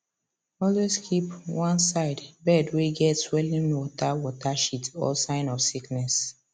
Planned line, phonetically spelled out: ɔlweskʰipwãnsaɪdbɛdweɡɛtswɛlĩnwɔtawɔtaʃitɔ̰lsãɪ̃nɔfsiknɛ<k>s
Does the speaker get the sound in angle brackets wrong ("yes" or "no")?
yes